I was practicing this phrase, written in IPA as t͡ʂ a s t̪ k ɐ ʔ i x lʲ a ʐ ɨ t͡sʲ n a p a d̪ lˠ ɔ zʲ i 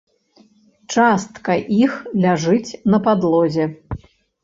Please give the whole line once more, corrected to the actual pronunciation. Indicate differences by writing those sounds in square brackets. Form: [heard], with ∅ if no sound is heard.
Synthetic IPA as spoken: t͡ʂ a s t̪ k ɐ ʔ i x lʲ a ʐ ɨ t͡sʲ n [ɐ] p a d̪ lˠ ɔ zʲ [ɛ]